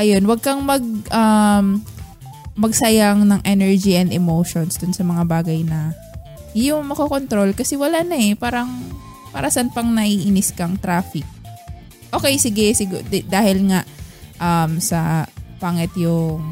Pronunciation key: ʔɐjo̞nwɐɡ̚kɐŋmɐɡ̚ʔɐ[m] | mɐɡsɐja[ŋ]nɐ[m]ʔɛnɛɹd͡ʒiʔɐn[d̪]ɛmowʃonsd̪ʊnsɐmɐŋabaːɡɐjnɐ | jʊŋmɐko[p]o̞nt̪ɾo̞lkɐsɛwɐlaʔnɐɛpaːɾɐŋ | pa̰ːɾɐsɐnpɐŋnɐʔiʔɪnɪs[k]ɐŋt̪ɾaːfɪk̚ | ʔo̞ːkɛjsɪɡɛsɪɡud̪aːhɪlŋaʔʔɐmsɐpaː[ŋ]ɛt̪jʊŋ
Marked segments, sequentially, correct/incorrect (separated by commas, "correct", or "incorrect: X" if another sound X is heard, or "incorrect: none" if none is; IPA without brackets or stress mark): correct, correct, incorrect: ŋ, correct, incorrect: k, correct, correct